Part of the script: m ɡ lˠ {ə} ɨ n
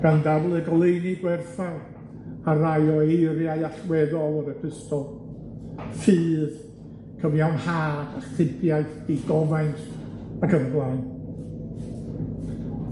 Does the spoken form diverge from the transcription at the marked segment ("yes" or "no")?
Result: yes